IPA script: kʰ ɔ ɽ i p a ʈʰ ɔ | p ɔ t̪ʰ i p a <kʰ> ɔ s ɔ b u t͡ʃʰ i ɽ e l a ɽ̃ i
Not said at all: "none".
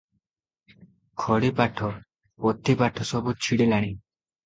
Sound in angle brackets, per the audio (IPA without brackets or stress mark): ʈʰ